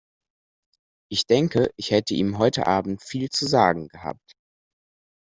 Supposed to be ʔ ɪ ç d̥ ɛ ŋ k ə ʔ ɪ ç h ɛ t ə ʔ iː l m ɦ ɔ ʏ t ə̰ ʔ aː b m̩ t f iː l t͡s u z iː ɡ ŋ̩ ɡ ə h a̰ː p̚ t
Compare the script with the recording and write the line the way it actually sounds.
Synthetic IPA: ʔ ɪ ç d̥ ɛ ŋ k ə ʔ ɪ ç h ɛ t ə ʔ iː m ɦ ɔ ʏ t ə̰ ʔ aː b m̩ t f iː l t͡s u z aː ɡ ŋ̩ ɡ ə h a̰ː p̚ t